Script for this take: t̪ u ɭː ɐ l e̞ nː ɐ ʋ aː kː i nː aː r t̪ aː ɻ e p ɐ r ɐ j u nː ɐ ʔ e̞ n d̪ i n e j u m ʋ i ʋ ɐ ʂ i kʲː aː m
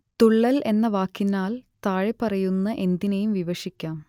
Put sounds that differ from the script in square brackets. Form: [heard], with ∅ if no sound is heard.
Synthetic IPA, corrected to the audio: t̪ u ɭː ɐ l e̞ nː ɐ ʋ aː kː i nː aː [l] t̪ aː ɻ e p ɐ r ɐ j u nː ɐ ʔ e̞ n d̪ i n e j u m ʋ i ʋ ɐ ʂ i kʲː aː m